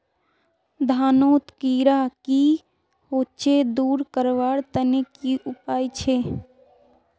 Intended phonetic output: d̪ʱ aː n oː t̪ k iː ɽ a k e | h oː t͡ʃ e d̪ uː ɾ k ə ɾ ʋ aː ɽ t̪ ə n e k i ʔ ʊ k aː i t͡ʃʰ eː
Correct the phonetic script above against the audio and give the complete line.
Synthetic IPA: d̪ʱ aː n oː t̪ k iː ɾ a k i | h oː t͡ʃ e d̪ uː ɾ k ə ɾ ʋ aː ɽ t̪ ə n e k i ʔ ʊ p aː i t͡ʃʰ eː